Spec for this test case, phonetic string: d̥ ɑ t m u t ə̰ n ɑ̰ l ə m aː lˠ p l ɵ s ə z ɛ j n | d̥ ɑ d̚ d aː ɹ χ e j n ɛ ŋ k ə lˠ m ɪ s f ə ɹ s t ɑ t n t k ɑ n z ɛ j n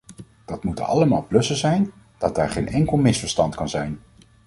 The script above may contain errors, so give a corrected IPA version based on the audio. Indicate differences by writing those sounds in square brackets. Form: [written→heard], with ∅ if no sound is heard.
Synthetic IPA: d̥ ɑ t m u t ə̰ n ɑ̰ l ə m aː lˠ p l ɵ s ə z ɛ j n | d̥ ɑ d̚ d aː ɹ χ e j n ɛ ŋ k ə lˠ m ɪ s f ə ɹ s t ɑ [t→∅] n t k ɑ n z ɛ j n